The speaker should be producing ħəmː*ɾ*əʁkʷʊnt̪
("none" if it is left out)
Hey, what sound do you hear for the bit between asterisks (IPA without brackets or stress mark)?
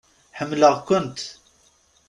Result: l